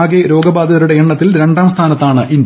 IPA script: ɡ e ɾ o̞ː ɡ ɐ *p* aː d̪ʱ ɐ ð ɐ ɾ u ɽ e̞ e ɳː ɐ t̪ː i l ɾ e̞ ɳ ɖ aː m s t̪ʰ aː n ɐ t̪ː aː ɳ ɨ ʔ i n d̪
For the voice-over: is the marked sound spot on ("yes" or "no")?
no